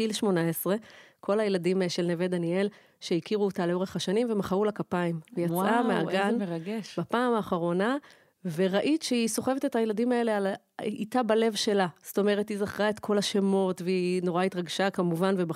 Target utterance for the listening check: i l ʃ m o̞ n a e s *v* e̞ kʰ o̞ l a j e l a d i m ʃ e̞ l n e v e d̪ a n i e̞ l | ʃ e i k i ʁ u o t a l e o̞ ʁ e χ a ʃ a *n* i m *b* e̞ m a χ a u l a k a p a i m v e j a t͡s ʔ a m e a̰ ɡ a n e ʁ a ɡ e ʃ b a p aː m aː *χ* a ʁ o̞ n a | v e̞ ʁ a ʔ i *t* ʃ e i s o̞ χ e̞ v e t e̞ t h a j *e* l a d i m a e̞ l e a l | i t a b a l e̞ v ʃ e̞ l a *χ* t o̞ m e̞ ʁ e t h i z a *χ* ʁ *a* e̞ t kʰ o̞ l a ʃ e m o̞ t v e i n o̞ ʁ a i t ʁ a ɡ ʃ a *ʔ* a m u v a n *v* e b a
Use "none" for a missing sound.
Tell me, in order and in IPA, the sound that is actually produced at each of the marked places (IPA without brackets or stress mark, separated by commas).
ʁ, n, v, χ, t, e, s, χ, a, k, v